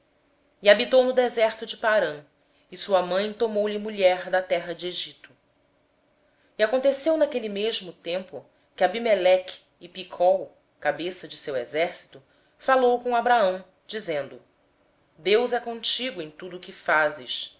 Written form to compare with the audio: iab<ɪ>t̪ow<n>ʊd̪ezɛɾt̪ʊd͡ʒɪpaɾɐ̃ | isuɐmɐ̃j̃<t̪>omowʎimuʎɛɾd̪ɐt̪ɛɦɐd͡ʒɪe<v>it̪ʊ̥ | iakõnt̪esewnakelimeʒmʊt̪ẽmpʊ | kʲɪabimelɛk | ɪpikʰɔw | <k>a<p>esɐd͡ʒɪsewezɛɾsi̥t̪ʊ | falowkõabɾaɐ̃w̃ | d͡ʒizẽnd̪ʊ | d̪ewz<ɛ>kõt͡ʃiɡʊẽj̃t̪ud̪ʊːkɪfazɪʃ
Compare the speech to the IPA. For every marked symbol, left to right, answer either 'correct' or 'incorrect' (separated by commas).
incorrect, correct, correct, incorrect, correct, incorrect, correct